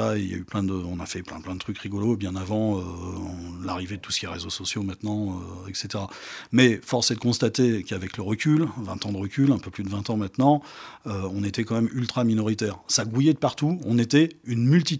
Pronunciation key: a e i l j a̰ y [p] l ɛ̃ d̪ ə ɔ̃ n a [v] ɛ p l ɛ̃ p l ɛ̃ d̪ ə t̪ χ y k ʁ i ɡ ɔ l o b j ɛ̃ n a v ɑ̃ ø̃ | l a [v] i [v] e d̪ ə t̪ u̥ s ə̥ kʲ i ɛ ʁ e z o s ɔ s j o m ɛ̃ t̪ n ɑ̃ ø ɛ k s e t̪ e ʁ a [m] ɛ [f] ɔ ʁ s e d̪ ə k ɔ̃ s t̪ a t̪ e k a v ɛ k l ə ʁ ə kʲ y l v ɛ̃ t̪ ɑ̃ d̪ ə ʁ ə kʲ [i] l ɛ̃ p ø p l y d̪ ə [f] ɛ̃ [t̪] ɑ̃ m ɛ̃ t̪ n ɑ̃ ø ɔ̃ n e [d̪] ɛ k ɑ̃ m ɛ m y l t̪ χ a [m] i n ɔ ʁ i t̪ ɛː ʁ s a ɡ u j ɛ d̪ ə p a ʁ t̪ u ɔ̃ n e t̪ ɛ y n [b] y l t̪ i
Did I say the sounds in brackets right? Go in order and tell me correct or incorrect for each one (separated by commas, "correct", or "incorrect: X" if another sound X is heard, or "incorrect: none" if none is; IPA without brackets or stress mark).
correct, incorrect: f, incorrect: ʁ, correct, correct, correct, incorrect: y, incorrect: v, correct, incorrect: t̪, correct, incorrect: m